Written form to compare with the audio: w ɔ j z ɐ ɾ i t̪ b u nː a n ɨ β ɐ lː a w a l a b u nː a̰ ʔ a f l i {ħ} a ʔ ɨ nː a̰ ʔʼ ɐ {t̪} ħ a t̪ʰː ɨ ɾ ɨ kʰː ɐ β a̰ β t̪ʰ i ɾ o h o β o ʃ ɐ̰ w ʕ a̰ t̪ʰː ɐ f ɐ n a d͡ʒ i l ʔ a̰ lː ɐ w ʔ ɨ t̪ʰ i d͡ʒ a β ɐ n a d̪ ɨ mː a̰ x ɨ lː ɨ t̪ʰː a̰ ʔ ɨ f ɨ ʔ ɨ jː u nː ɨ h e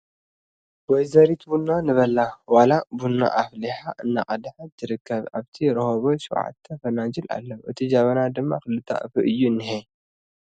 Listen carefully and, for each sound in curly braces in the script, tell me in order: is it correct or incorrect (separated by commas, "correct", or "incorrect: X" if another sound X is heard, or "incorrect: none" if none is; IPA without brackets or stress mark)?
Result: correct, incorrect: d̪